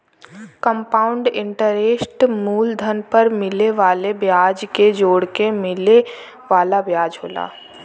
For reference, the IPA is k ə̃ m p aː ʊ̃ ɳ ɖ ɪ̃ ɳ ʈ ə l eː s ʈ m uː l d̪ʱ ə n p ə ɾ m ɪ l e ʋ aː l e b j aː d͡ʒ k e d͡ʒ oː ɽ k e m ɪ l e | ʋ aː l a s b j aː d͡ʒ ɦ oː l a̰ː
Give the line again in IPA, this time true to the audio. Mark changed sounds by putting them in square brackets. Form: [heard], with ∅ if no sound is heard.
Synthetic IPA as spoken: k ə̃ m p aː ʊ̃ ɳ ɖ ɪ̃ ɳ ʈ ə [ɾ] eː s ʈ m uː l d̪ʱ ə n p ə ɾ m ɪ l e ʋ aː l e b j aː d͡ʒ k e d͡ʒ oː ɽ k e m ɪ l e | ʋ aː l a [∅] b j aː d͡ʒ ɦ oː l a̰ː